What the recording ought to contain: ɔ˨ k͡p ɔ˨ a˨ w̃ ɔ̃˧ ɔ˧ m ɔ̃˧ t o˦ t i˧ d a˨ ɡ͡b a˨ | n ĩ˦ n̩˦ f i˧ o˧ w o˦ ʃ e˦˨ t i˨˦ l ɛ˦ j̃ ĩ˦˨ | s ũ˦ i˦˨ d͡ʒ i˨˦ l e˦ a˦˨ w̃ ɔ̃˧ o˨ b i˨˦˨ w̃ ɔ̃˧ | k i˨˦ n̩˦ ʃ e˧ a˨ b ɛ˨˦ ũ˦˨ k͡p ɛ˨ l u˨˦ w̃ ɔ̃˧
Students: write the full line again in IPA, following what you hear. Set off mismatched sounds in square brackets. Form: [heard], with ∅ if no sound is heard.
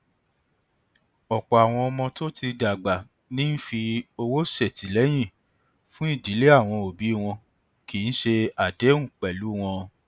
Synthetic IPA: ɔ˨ k͡p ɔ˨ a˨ w̃ ɔ̃˧ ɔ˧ m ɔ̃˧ t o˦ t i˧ d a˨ ɡ͡b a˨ | n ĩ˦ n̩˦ f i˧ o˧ w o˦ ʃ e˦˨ t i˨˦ l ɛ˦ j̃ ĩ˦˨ | [f] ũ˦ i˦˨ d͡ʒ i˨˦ l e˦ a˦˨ w̃ ɔ̃˧ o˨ b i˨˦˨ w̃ ɔ̃˧ | k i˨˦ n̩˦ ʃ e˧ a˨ [d] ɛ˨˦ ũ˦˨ k͡p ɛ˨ l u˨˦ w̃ ɔ̃˧